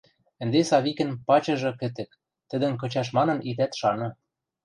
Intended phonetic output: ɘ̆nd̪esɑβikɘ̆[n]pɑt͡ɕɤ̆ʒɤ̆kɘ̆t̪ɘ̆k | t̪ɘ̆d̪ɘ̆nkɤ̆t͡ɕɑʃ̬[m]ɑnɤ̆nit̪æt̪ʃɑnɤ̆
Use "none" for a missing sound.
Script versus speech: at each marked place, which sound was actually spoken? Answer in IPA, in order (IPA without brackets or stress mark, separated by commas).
n, m